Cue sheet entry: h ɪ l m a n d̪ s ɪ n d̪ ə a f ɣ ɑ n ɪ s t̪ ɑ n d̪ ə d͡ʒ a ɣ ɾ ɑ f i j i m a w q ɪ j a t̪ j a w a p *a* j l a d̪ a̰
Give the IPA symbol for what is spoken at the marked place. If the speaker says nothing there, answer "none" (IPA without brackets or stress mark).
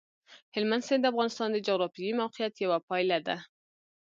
ɑ